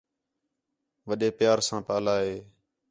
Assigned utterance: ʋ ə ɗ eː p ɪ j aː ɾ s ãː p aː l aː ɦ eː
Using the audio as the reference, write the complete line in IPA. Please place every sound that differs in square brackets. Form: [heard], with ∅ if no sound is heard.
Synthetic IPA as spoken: ʋ ə ɗ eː p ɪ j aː ɾ s ãː p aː l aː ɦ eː